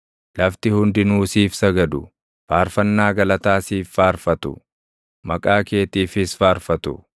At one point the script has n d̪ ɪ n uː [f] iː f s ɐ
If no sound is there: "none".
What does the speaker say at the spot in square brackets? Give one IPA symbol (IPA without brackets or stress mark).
s